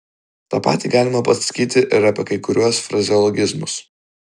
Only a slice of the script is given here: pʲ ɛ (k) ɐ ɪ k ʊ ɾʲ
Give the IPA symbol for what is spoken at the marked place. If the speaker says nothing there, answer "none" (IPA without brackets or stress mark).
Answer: k